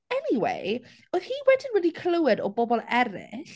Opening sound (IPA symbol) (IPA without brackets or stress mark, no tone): ɛ